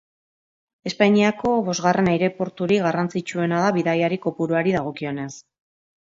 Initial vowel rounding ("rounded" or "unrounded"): unrounded